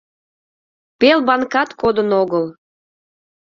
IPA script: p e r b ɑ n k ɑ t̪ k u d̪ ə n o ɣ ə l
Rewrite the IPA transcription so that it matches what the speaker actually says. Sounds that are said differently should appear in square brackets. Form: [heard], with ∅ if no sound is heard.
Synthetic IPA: p e [l] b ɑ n k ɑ t̪ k [o] d̪ ə n o ɣ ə l